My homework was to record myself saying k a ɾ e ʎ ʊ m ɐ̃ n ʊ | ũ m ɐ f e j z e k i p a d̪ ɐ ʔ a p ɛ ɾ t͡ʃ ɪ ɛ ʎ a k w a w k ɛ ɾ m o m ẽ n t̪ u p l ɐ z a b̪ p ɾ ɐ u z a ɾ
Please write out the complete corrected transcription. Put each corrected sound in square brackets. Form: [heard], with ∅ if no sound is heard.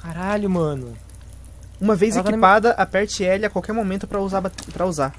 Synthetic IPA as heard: k a ɾ [a] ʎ ʊ m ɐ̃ n ʊ | ũ m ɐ [v] e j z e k i p a d̪ ɐ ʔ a p ɛ ɾ t͡ʃ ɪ ɛ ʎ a k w a w k ɛ ɾ m o m ẽ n t̪ [ʊ] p [ɾ] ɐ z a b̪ p ɾ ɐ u z a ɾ

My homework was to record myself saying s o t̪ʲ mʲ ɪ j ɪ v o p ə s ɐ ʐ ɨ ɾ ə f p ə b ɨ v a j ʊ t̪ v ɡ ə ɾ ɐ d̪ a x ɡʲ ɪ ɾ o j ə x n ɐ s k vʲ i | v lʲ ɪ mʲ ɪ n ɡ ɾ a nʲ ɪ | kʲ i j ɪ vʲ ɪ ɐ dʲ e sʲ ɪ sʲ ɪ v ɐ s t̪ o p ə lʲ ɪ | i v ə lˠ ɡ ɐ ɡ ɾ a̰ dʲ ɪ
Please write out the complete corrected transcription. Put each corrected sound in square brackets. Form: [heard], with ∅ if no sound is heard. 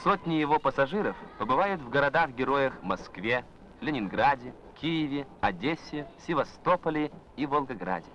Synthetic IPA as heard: s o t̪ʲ [nʲ] ɪ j ɪ v o p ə s ɐ ʐ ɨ ɾ ə f p ə b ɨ v a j ʊ t̪ v ɡ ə ɾ ɐ d̪ a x ɡʲ ɪ ɾ o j ə x [m] ɐ s k vʲ [e] | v lʲ ɪ [nʲ] ɪ n ɡ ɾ a [dʲ] ɪ | kʲ i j ɪ vʲ ɪ ɐ dʲ e sʲ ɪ sʲ ɪ v ɐ s t̪ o p ə lʲ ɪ | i v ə lˠ ɡ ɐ ɡ ɾ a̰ dʲ ɪ

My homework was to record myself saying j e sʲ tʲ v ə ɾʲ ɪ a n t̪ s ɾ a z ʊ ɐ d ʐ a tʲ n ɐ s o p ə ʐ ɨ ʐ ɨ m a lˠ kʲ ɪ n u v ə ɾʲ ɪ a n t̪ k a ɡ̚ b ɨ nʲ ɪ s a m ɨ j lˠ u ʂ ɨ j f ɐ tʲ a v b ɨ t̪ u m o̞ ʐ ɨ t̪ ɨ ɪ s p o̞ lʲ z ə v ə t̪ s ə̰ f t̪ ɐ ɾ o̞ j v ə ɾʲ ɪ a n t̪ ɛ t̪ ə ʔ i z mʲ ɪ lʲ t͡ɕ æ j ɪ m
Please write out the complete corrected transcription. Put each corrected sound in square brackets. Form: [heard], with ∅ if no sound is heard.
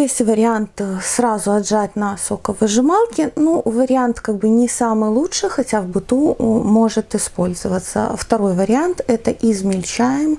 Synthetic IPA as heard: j e sʲ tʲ v ə ɾʲ ɪ a n t̪ s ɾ a z ʊ ɐ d ʐ a tʲ n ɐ s o [k] ə [v] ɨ ʐ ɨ m a lˠ kʲ ɪ n u v ə ɾʲ ɪ a n t̪ k a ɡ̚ b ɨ nʲ ɪ s a m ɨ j lˠ u ʂ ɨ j [x] ɐ tʲ a v b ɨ t̪ u m o̞ ʐ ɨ t̪ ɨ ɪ s p o̞ lʲ z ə v ə t̪ s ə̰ f t̪ ɐ ɾ o̞ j v ə ɾʲ ɪ a n t̪ ɛ t̪ ə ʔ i z mʲ ɪ lʲ t͡ɕ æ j ɪ m

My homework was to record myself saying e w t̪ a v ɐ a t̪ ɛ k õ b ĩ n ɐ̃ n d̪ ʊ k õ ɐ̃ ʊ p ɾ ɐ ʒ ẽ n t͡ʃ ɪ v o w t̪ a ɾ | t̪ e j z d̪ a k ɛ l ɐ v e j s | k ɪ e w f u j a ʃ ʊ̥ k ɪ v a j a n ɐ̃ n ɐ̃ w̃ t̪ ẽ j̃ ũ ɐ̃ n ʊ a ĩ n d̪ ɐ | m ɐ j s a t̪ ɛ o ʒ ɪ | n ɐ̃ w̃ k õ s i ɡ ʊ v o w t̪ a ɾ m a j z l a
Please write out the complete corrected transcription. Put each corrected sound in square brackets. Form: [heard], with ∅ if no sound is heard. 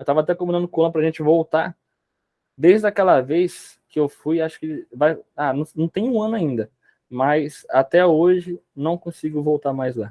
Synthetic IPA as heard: e w t̪ a v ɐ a t̪ ɛ k õ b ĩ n ɐ̃ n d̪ ʊ k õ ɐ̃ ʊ p ɾ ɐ ʒ ẽ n t͡ʃ ɪ v o w t̪ a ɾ | [d̪] e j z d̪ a k ɛ l ɐ v e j s | k ɪ e w f u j a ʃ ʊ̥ k ɪ v a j a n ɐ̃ n ɐ̃ w̃ t̪ ẽ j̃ ũ ɐ̃ n ʊ a ĩ n d̪ ɐ | m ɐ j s a t̪ ɛ o ʒ ɪ | n ɐ̃ w̃ k õ s i ɡ ʊ v o w t̪ a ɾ m a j z l a

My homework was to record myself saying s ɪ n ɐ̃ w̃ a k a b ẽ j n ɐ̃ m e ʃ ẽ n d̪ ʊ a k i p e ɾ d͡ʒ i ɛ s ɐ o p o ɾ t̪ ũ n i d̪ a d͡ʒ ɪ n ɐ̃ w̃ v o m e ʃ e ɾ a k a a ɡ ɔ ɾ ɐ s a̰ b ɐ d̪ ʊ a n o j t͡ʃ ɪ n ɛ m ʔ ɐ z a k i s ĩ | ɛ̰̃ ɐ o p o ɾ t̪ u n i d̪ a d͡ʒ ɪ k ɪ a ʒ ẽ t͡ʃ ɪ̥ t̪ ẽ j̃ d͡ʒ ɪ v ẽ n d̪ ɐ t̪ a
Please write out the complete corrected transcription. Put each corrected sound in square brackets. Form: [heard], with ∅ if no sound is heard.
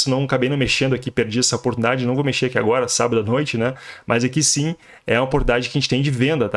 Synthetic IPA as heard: s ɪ n ɐ̃ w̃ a k a b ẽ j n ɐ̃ m e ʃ ẽ n d̪ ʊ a k i p e ɾ d͡ʒ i ɛ s ɐ o p o ɾ t̪ [u] n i d̪ a d͡ʒ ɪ n ɐ̃ w̃ v o m e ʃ e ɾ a k [i] a ɡ ɔ ɾ ɐ s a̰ b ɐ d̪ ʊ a n o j t͡ʃ ɪ n ɛ m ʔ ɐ z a k i s ĩ | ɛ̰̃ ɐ o p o ɾ t̪ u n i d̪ a d͡ʒ ɪ k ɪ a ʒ ẽ t͡ʃ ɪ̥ t̪ ẽ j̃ d͡ʒ ɪ v ẽ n d̪ ɐ t̪ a

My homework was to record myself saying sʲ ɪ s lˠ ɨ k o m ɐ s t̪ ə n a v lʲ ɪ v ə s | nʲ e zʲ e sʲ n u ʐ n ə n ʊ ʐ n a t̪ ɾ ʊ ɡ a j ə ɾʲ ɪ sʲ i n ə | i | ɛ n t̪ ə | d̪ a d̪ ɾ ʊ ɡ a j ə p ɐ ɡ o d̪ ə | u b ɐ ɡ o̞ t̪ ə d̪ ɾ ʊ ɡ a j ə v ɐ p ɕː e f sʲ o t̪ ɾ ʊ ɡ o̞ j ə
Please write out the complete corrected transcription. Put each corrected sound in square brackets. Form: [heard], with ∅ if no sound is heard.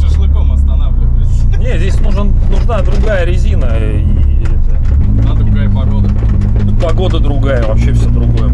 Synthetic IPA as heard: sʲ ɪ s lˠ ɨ k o m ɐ s t̪ [ɐ] n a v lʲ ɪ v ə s | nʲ e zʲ e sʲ n u ʐ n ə n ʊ ʐ n a [d̪] ɾ ʊ ɡ a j ə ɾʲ ɪ [zʲ] i n ə | i | ɛ [∅] t̪ ə | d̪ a d̪ ɾ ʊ ɡ a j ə p ɐ ɡ o d̪ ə | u [p] ɐ ɡ o̞ [d̪] ə d̪ ɾ ʊ ɡ a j ə v ɐ p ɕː e f sʲ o [d̪] ɾ ʊ ɡ o̞ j ə

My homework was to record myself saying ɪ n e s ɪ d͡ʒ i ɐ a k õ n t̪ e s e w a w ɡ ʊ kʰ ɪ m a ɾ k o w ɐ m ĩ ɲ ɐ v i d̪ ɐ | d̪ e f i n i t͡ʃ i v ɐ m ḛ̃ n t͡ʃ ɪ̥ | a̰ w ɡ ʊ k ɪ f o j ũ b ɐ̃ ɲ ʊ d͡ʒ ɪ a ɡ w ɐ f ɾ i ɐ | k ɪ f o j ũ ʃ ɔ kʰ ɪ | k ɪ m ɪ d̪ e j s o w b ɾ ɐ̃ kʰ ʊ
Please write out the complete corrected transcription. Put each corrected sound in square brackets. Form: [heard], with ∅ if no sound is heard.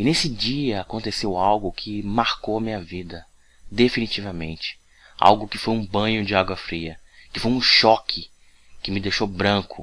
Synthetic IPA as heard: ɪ n e s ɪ d͡ʒ i ɐ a k õ n t̪ e s e w a w ɡ ʊ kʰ ɪ m a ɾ k o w ɐ m ĩ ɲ ɐ v i d̪ ɐ | d̪ e f i n i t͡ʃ i v ɐ m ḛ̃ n t͡ʃ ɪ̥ | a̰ w ɡ ʊ k ɪ f o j ũ b ɐ̃ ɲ ʊ d͡ʒ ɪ a ɡ w ɐ f ɾ i ɐ | k ɪ f o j ũ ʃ ɔ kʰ ɪ | k ɪ m ɪ d̪ e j [ʃ] o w b ɾ ɐ̃ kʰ ʊ

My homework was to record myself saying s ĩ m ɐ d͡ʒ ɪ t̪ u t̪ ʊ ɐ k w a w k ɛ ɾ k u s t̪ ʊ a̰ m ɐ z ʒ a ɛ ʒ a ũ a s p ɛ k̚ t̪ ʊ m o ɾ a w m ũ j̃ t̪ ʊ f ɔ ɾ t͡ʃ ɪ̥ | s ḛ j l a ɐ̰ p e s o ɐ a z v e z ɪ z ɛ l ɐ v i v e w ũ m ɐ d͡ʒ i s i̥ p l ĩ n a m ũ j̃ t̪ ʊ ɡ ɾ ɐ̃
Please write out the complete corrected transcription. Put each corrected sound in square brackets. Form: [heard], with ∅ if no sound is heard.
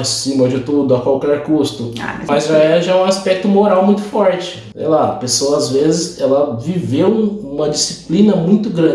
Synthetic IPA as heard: s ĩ m ɐ d͡ʒ ɪ t̪ u [d̪] ʊ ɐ k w a w k ɛ ɾ k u s t̪ ʊ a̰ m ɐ z ʒ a ɛ ʒ a ũ a s p ɛ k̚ t̪ ʊ m o ɾ a w m ũ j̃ t̪ ʊ f ɔ ɾ t͡ʃ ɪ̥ | s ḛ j l a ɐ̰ p e s o ɐ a z v e z ɪ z ɛ l ɐ v i v e w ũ m ɐ d͡ʒ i s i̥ p l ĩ n [ɐ] m ũ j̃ t̪ ʊ ɡ ɾ ɐ̃

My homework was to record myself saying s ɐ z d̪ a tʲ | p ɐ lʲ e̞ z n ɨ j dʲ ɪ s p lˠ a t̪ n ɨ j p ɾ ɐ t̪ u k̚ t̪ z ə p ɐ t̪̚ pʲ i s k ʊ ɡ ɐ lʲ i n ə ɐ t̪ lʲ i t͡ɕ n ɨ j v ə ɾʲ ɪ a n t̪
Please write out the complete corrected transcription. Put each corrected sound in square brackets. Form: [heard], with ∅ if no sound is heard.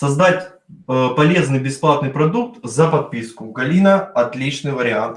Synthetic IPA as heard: s ɐ z d̪ a tʲ | p ɐ lʲ e̞ z n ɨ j [bʲ] ɪ s p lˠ a t̪ n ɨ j p ɾ ɐ [d̪] u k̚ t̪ z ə p ɐ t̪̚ pʲ i s k ʊ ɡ ɐ lʲ i n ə ɐ t̪ lʲ i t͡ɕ n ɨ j v ə ɾʲ ɪ a n t̪

